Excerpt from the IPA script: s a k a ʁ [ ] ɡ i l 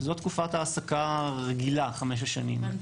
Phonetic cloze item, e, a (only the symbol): e